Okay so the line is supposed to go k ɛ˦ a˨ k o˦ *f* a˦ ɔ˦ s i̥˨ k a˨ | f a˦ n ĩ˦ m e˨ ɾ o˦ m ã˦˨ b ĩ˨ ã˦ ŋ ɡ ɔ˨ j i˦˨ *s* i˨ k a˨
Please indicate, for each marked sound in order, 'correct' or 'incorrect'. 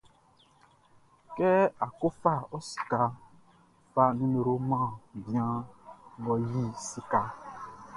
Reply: correct, correct

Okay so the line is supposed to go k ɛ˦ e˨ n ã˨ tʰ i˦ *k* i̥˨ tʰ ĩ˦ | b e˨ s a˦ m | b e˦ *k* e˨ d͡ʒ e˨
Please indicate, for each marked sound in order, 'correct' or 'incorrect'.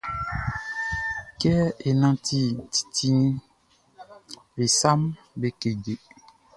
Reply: incorrect: t, correct

